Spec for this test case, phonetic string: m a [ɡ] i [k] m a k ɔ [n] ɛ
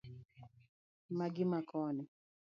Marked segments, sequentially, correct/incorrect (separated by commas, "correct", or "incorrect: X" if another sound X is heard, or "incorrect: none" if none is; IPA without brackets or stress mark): correct, incorrect: none, correct